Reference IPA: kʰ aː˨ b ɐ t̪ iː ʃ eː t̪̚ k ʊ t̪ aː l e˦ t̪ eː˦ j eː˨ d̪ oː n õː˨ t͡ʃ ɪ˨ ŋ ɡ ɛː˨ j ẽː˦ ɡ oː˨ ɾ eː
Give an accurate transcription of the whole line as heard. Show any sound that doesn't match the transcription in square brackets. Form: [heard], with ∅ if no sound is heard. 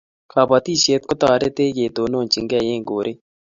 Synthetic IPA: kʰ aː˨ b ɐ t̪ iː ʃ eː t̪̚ k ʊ t̪ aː [ɾ] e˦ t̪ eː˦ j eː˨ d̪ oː n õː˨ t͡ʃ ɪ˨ ŋ ɡ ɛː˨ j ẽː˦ ɡ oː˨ ɾ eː